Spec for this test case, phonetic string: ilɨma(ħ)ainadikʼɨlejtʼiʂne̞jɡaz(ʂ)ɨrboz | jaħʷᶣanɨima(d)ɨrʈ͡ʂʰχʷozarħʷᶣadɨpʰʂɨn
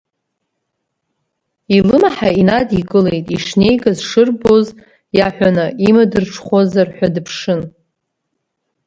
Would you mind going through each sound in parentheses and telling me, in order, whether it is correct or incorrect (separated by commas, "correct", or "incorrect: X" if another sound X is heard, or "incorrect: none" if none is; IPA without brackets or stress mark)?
correct, correct, correct